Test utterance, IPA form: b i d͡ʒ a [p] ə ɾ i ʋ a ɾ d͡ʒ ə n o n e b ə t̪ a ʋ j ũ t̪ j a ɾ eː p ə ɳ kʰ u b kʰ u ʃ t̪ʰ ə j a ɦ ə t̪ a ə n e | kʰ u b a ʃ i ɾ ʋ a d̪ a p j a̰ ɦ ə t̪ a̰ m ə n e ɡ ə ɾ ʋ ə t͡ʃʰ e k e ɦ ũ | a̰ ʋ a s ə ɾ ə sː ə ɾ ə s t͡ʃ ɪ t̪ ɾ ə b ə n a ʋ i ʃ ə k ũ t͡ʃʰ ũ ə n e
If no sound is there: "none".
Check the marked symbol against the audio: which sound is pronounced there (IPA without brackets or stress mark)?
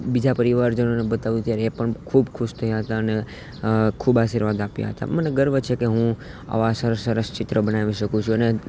p